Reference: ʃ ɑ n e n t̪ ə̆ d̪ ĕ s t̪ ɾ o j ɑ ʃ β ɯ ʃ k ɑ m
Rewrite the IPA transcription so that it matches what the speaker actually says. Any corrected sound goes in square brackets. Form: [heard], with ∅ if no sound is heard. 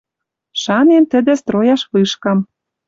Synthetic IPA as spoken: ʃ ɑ n e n t̪ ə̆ d̪ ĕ s t̪ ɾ o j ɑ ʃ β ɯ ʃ k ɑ m